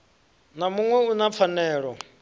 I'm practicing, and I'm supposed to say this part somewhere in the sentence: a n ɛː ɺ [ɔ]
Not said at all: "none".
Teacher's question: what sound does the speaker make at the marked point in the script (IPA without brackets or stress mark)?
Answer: ɔ